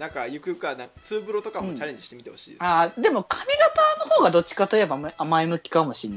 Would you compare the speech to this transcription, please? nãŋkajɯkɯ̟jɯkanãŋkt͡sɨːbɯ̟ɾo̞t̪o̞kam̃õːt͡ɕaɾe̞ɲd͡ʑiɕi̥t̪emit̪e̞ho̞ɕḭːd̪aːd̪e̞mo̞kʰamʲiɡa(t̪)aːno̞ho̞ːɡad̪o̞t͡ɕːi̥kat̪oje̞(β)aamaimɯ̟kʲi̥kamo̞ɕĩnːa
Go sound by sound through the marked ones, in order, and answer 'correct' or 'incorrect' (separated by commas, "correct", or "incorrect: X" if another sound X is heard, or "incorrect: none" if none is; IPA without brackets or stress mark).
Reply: correct, incorrect: b